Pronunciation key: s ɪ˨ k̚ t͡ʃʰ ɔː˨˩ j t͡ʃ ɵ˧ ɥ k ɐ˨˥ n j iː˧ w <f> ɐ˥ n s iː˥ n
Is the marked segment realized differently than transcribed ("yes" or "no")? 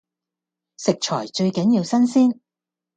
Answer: yes